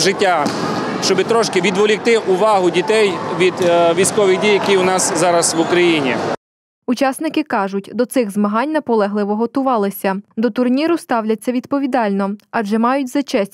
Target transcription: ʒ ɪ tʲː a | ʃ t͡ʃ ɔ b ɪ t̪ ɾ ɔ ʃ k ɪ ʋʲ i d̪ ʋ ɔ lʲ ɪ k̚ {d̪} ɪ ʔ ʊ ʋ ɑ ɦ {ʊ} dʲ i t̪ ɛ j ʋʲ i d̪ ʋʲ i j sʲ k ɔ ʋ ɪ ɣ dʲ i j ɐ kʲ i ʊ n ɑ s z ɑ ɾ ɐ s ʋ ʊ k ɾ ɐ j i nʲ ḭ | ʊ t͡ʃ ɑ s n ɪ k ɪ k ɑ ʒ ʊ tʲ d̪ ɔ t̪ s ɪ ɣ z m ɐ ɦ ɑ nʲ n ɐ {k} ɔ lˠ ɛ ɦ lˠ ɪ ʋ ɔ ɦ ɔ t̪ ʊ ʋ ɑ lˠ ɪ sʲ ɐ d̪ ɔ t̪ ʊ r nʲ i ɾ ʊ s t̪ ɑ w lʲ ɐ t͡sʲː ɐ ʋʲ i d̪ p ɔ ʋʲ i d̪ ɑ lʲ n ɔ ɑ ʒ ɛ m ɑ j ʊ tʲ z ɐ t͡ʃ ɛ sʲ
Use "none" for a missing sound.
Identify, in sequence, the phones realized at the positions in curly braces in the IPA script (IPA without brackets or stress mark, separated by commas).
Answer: t̪, ʊ, p